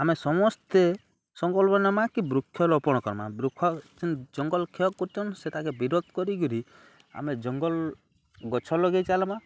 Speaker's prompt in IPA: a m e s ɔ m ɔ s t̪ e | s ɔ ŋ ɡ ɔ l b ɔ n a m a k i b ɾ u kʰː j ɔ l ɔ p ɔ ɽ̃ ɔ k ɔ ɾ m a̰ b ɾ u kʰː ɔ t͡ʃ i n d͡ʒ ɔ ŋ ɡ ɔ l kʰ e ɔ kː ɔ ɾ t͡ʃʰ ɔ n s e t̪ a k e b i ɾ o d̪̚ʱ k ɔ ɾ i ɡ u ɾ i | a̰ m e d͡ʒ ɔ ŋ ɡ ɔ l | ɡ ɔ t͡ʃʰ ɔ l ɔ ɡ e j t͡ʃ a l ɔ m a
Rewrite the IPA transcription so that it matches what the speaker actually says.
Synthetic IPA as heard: a m e s ɔ m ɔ s t̪ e | s ɔ ŋ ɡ ɔ l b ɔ n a m a k i b ɾ u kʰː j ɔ l ɔ p ɔ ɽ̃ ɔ k ɔ ɾ m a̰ b ɾ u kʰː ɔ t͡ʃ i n d͡ʒ ɔ ŋ ɡ ɔ l kʰ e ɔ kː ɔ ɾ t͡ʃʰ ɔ n s e t̪ a k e b i ɾ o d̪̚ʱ k ɔ ɾ i ɡ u ɾ i | a̰ m e d͡ʒ ɔ ŋ ɡ ɔ l | ɡ ɔ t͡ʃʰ ɔ l ɔ ɡ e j t͡ʃ a l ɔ m a